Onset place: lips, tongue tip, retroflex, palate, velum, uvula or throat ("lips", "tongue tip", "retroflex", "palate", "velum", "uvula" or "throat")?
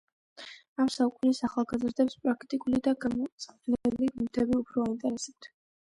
lips